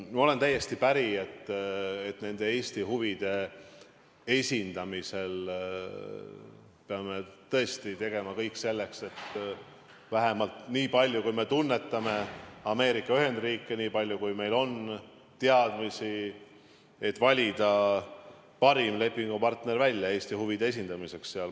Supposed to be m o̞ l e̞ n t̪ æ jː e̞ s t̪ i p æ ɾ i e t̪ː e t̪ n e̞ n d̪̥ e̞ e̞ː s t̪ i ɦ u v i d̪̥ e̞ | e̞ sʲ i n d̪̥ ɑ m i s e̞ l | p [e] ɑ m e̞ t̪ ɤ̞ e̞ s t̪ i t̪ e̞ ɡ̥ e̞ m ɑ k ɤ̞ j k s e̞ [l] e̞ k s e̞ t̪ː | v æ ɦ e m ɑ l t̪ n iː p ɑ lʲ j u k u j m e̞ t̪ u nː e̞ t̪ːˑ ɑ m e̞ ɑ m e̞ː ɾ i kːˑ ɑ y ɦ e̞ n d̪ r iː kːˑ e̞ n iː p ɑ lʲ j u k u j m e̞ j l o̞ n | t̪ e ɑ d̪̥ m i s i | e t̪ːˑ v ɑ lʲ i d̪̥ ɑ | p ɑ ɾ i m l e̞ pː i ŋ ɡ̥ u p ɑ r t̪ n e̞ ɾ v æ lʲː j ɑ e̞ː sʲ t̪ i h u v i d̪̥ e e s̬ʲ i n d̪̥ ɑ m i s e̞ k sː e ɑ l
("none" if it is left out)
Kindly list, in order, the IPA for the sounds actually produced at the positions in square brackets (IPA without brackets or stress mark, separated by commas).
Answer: e, lː